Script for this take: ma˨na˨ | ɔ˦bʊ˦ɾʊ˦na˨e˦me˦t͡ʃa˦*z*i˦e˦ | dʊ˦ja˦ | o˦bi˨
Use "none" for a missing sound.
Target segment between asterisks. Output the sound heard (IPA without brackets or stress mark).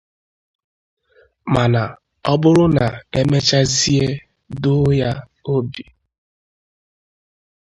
z